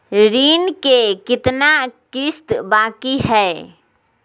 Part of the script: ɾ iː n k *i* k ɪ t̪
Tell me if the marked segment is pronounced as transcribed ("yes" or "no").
no